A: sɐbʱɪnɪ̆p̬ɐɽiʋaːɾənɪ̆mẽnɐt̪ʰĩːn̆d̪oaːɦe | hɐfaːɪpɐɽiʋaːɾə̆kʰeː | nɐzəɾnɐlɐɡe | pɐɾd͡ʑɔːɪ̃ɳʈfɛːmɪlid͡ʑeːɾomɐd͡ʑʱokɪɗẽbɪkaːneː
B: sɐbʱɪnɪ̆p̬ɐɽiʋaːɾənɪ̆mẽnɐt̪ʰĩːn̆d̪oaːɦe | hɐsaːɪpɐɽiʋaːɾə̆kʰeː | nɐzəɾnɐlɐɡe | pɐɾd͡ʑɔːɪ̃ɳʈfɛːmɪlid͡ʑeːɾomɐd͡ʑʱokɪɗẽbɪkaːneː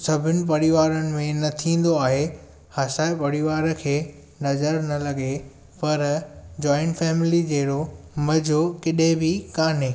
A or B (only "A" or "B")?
B